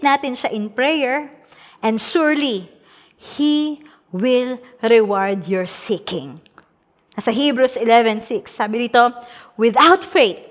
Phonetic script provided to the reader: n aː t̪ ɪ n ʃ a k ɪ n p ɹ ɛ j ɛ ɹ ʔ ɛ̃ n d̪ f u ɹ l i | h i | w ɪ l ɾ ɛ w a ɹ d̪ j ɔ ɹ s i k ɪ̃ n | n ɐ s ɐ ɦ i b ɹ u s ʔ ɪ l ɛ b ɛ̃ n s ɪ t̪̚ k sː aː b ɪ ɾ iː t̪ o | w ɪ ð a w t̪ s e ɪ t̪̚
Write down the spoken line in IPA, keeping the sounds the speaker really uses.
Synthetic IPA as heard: n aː t̪ ɪ n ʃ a ʔ ɪ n p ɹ ɛ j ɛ ɹ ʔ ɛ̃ n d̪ ʃ u ɹ l i | h i | w ɪ l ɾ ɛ w a ɹ d̪ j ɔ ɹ s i k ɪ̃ ŋ | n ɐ s ɐ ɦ i b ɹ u s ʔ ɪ l ɛ v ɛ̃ n s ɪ k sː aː b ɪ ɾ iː t̪ o | w ɪ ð a w t̪ f e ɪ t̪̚